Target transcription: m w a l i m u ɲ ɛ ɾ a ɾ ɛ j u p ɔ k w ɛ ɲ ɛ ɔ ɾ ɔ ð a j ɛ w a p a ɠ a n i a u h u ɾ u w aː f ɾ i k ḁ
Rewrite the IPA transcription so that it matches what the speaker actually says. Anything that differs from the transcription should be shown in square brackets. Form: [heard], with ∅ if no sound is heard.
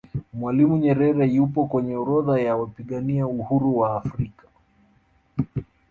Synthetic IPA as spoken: m w a l i m u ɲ ɛ ɾ [ɛ] ɾ ɛ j u p ɔ k w ɛ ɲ ɛ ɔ ɾ ɔ ð a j [a] w a p [i] ɠ a n i a u h u ɾ u w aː f ɾ i k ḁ